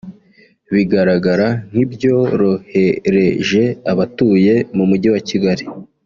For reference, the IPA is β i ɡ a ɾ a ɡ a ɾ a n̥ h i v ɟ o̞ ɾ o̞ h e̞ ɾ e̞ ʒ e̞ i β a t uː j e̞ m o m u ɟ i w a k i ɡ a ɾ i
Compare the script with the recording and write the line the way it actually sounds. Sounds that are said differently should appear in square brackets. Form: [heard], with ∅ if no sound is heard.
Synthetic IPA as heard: β i ɡ a ɾ a ɡ a ɾ a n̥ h i [b] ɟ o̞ ɾ o̞ h e̞ ɾ e̞ ʒ e̞ [a] β a t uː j e̞ m [u] m u ɟ i w a [c] i ɡ a ɾ i